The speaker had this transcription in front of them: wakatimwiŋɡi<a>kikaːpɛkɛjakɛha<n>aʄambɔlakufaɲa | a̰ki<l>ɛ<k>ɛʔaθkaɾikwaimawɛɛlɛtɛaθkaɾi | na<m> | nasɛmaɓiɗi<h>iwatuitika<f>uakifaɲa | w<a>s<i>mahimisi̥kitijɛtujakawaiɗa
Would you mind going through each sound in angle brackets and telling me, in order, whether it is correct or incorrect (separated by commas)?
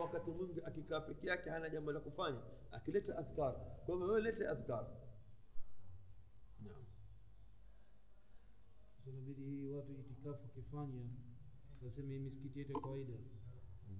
correct, correct, correct, incorrect, correct, correct, correct, correct, incorrect